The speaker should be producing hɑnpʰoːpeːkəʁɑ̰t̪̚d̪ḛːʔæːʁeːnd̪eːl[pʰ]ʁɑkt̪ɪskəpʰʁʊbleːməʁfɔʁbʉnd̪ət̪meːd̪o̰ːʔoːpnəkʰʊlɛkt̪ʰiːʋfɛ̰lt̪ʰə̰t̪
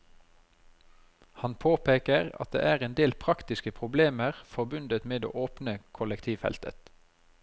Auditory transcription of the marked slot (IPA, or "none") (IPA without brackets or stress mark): pʰ